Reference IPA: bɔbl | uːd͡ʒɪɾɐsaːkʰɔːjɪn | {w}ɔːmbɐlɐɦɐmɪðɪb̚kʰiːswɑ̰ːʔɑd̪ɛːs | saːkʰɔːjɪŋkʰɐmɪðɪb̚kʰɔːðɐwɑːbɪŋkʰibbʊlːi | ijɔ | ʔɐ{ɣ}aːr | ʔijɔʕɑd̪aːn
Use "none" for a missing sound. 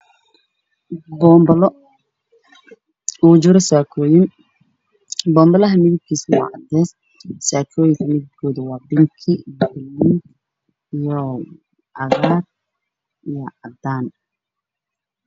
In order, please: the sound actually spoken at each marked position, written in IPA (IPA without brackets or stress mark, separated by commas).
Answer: b, ɣ